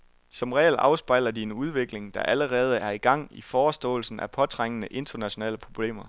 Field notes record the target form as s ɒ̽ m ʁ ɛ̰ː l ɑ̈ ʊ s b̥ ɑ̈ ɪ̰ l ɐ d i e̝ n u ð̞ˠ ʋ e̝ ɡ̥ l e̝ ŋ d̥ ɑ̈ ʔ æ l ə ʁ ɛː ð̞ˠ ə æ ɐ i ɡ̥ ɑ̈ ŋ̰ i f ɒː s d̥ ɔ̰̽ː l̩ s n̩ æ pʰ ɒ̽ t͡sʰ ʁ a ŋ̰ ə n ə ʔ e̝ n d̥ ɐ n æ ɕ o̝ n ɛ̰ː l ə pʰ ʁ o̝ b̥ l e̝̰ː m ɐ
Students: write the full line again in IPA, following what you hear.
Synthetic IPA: s ɒ̽ m ʁ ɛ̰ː l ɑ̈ ʊ s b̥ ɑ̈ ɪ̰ l ɐ d i e̝ n u ð̞ˠ ʋ e̝ ɡ̥ l e̝ ŋ d̥ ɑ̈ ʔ æ l ə ʁ ɛː ð̞ˠ ə æ ɐ i ɡ̥ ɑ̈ ŋ̰ i f ɒː s d̥ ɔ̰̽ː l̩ s n̩ æ pʰ ɒ̽ t͡sʰ ʁ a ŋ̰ ə n ə ʔ e̝ n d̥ ɐ n æ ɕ o̝ n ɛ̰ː l ə pʰ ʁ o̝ b̥ l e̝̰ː m ɐ